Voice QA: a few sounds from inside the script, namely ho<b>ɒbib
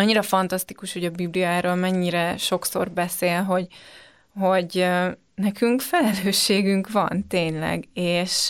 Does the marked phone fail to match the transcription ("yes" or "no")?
yes